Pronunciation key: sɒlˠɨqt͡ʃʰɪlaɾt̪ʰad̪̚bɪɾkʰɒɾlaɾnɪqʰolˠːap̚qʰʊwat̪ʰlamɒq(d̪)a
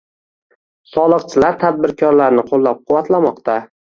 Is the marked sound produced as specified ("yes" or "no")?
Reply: no